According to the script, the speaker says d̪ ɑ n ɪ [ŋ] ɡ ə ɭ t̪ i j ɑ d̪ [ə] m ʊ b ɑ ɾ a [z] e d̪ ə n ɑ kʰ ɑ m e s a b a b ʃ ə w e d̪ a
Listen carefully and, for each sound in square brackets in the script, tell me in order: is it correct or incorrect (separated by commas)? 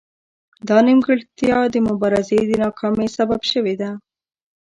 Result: incorrect, correct, correct